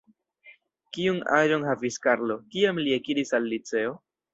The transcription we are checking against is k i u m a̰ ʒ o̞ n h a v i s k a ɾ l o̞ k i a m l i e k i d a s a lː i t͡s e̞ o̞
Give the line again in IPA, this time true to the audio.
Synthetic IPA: k i u n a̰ ʒ o̞ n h a v i s k a ɾ l o̞ k i a m l i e k i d i s a lː i t͡s e̞ o̞